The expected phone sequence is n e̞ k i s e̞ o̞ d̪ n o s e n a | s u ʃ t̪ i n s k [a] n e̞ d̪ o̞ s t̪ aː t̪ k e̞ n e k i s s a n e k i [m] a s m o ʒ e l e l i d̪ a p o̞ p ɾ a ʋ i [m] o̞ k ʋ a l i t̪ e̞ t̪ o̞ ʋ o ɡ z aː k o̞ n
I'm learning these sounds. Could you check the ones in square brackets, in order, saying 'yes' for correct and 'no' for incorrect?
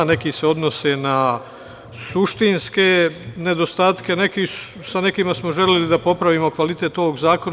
no, yes, yes

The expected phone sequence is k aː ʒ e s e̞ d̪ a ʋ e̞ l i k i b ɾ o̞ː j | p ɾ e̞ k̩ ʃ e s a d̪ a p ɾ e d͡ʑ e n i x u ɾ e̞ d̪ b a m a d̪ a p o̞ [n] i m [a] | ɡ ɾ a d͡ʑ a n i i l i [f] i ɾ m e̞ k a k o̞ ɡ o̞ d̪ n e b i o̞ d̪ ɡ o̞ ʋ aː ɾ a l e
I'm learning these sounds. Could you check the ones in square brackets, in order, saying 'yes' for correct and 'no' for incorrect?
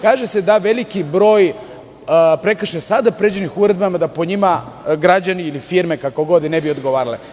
no, yes, yes

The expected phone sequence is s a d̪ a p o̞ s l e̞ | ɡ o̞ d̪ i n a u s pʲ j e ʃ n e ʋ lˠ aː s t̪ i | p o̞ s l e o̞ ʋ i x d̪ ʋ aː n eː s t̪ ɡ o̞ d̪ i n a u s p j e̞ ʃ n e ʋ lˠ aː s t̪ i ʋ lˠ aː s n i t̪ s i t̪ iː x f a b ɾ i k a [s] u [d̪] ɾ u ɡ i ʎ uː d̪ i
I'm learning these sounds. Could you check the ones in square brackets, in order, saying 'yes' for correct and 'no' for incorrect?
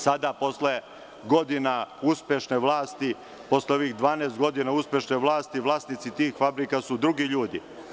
yes, yes

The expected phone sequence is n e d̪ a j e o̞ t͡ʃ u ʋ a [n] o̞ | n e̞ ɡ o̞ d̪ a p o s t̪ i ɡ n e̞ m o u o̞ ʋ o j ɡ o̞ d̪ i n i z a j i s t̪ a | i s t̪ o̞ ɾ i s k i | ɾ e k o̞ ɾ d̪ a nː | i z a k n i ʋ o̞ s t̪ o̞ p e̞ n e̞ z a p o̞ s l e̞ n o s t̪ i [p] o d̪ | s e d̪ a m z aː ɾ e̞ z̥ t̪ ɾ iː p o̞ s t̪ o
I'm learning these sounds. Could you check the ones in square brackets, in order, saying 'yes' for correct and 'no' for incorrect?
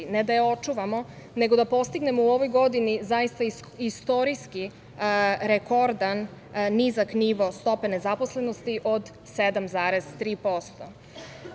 no, no

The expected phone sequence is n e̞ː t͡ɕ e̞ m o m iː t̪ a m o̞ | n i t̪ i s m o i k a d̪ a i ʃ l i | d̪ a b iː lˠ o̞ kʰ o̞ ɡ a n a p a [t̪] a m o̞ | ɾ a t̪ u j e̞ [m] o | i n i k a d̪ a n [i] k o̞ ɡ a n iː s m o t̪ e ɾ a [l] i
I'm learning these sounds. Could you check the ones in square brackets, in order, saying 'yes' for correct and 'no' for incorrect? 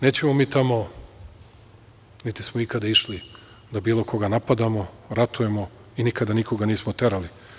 no, yes, yes, yes

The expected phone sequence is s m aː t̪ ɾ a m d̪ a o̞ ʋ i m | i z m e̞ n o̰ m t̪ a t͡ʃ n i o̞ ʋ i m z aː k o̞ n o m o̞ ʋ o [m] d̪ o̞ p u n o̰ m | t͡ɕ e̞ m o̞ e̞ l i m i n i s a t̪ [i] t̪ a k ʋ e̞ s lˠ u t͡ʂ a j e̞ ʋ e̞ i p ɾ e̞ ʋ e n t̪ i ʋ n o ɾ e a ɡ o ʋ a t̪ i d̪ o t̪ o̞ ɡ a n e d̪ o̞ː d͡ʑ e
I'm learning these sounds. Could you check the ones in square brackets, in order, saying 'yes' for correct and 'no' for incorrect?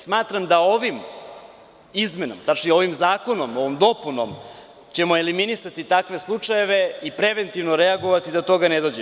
yes, yes

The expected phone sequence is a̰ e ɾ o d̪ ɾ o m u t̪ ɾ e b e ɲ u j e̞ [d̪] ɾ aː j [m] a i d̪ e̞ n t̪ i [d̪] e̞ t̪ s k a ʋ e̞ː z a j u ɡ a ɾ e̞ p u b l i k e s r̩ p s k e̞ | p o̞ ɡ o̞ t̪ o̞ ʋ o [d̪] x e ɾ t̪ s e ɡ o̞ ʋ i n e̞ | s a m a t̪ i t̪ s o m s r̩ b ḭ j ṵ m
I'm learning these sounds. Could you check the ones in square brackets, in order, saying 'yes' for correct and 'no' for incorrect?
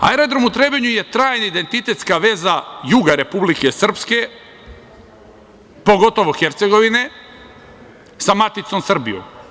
no, no, no, no

